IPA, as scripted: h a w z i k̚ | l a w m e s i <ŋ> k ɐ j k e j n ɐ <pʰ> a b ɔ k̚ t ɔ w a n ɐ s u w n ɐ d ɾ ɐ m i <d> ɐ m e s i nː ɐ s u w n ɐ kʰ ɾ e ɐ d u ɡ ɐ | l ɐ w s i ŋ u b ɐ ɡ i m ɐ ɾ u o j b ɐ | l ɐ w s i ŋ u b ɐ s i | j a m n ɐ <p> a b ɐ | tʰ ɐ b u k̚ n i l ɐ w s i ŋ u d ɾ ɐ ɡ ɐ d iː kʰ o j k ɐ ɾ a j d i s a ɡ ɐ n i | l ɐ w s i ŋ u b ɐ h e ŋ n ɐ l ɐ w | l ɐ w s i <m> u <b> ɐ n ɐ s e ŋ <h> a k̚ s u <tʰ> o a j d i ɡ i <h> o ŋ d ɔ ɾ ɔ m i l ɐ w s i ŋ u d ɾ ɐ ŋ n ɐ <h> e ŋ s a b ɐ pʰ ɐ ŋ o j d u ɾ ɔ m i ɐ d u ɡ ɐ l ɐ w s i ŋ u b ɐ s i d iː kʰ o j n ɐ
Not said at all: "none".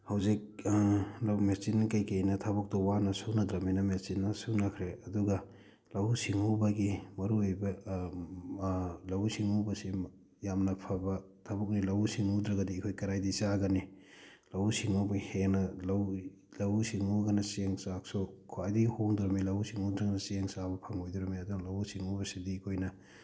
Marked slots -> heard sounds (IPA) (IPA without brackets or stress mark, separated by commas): n, tʰ, n, pʰ, ŋ, ɡ, s, kʰ, h, s